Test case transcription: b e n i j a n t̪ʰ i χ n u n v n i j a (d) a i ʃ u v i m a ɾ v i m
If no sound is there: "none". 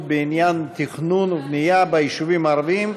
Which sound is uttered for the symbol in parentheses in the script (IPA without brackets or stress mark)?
b